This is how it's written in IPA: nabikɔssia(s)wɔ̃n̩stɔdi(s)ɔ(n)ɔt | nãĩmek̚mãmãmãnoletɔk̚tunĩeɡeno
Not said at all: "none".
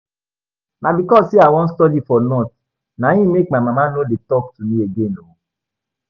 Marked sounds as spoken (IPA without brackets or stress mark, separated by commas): none, f, n